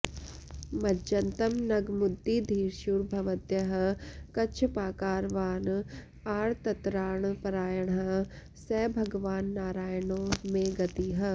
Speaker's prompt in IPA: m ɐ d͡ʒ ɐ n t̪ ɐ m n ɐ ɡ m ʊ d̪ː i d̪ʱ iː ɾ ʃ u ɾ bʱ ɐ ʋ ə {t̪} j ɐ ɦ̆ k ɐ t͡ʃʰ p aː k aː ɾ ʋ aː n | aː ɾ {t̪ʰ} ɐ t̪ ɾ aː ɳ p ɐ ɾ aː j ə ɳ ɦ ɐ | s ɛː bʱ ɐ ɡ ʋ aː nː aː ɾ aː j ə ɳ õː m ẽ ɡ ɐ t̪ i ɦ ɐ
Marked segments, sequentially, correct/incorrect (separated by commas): correct, incorrect